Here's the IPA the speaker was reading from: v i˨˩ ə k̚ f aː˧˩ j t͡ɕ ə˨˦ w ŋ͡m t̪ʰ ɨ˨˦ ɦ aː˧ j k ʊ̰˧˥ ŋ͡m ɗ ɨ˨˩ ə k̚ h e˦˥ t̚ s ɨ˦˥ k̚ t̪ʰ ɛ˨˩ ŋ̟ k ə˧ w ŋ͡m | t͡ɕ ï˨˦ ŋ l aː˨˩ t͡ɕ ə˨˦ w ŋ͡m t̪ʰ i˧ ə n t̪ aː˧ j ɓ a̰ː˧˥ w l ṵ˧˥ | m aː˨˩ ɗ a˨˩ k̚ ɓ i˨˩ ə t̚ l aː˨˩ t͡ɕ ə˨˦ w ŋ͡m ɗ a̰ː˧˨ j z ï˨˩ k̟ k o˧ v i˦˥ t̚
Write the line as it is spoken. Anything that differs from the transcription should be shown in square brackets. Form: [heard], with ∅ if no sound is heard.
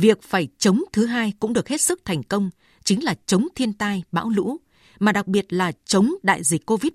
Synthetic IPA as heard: v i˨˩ ə k̚ f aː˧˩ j t͡ɕ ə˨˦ w ŋ͡m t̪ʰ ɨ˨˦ ɦ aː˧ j k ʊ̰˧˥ ŋ͡m ɗ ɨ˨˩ ə k̚ h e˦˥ t̚ s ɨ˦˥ k̚ t̪ʰ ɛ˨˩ ŋ̟ k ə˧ w ŋ͡m | t͡ɕ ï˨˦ ŋ l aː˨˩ t͡ɕ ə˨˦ w ŋ͡m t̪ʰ i˧ ə n t̪ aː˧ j ɓ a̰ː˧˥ w l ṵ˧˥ | m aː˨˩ ɗ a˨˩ k̚ ɓ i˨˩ ə t̚ l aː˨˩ t͡ɕ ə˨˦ w ŋ͡m ɗ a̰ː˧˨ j z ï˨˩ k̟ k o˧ v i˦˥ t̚